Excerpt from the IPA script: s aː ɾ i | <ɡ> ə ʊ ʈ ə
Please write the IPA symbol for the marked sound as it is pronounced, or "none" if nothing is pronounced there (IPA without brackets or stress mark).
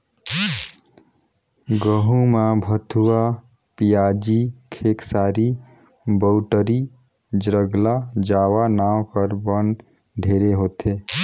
b